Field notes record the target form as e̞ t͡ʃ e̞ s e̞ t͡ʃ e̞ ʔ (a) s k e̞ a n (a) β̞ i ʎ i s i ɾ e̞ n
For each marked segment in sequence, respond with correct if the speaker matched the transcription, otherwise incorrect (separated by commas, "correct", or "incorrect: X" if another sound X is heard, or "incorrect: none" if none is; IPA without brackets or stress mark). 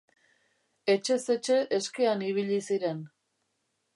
incorrect: e, incorrect: i